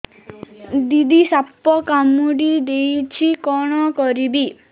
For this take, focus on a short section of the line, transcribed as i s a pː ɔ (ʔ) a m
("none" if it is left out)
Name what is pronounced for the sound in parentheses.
k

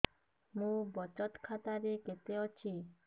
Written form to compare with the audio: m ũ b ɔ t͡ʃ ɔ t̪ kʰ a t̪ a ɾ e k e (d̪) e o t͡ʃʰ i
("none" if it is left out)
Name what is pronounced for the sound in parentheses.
t̪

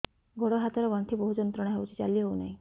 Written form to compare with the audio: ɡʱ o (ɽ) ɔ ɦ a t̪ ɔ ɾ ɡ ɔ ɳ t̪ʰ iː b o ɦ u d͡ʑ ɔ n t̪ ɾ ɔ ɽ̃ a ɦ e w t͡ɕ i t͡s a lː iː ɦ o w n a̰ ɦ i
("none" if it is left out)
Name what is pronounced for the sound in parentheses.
ɽ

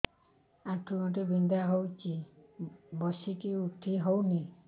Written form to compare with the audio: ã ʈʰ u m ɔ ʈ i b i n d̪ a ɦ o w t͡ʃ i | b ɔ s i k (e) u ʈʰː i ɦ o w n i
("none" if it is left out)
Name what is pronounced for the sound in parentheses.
i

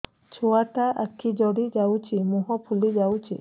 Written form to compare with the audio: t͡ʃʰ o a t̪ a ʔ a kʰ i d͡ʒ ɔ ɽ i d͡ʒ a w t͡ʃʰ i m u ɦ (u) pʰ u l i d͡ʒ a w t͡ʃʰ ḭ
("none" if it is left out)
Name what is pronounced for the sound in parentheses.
ɔ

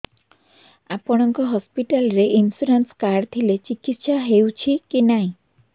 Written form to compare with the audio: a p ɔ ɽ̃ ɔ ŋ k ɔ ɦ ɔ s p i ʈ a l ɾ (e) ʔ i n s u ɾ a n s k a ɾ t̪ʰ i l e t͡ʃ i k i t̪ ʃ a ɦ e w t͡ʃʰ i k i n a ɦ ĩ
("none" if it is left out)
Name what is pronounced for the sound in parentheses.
e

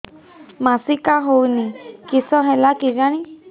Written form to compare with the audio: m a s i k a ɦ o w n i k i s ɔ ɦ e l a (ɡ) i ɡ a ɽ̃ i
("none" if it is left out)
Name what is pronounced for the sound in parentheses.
k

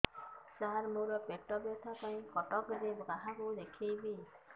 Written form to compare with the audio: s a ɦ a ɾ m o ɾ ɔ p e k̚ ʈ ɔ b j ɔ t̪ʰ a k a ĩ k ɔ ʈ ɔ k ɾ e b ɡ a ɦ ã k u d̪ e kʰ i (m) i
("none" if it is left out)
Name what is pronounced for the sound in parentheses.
b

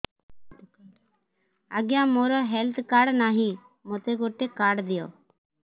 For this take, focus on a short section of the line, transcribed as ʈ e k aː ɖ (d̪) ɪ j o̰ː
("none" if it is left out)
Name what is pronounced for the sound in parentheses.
d̪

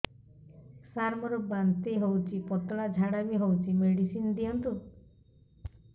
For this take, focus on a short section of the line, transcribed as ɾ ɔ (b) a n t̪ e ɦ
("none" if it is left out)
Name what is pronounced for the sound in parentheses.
b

